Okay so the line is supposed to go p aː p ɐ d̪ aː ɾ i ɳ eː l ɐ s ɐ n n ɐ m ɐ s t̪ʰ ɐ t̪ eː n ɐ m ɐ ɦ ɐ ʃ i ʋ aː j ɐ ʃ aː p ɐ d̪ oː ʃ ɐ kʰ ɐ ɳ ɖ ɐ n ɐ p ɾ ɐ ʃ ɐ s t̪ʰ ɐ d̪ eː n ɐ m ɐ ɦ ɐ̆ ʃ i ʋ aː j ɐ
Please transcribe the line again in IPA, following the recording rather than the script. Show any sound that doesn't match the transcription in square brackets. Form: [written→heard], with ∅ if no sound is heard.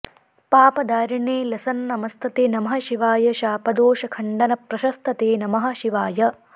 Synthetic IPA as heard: p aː p ɐ d̪ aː ɾ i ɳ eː l ɐ s ɐ n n ɐ m ɐ s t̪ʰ ɐ t̪ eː n ɐ m ɐ ɦ ɐ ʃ i ʋ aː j ɐ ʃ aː p ɐ d̪ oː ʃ ɐ kʰ ɐ ɳ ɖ ɐ n ɐ p ɾ ɐ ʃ ɐ s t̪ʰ ɐ [d̪→t̪] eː n ɐ m ɐ ɦ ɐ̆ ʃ i ʋ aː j ɐ